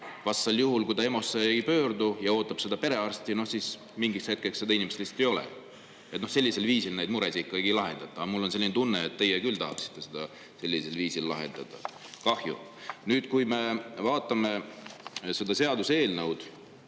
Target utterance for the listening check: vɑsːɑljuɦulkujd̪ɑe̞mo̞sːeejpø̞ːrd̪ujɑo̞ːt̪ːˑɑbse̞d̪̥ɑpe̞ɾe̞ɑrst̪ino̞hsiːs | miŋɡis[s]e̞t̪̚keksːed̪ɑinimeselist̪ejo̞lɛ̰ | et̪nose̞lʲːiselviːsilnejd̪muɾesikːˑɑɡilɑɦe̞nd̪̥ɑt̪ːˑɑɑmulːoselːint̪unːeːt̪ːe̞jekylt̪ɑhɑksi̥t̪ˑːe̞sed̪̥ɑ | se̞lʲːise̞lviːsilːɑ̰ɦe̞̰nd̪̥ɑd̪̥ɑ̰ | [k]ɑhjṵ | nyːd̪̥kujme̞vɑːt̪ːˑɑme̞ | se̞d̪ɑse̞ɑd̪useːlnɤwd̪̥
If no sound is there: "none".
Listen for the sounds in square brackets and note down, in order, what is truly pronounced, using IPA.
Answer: h, k

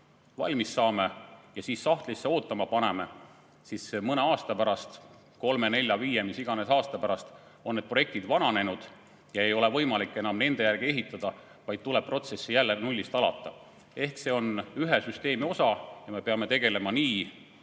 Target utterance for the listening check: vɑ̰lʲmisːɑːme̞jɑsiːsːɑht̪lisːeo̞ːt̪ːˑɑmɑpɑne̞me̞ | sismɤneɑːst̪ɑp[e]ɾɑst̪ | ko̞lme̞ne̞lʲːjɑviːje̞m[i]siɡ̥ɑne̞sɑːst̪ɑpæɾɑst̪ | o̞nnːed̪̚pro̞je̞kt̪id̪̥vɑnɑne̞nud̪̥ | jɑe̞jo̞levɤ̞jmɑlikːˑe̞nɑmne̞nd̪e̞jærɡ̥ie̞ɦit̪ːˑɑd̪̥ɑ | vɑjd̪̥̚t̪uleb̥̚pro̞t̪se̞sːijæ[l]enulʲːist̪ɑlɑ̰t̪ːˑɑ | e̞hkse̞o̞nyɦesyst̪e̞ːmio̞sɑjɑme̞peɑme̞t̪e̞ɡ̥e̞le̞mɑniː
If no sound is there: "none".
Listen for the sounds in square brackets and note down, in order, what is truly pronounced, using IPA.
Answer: æ, i, lː

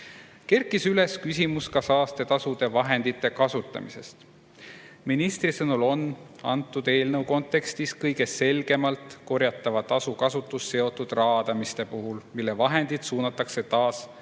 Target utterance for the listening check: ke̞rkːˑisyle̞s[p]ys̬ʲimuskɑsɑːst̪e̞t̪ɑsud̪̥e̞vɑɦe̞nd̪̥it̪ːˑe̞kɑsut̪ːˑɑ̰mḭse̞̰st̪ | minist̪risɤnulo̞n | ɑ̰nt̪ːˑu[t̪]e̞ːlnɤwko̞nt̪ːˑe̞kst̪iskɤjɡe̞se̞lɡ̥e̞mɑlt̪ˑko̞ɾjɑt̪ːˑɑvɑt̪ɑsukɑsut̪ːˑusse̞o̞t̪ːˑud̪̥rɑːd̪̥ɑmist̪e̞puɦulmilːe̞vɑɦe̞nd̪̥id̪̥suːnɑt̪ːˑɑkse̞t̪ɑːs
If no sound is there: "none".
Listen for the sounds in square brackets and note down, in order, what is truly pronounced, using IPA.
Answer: k, d̪

